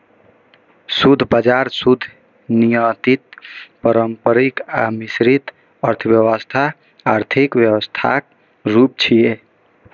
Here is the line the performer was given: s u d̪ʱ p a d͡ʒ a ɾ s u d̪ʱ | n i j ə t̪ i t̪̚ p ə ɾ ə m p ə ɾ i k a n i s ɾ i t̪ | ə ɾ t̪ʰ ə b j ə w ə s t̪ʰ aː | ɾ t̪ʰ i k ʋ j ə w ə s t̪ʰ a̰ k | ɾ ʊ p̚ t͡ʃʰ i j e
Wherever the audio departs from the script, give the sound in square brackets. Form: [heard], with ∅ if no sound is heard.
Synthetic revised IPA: s u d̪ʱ [b] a d͡ʒ a ɾ s u d̪ʱ | n i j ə t̪ i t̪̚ p ə ɾ ə m p ə ɾ i k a [m] i s ɾ i t̪ | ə ɾ t̪ʰ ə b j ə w ə s t̪ʰ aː | ɾ t̪ʰ i k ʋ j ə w ə s t̪ʰ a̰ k | ɾ [u] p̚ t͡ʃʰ i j e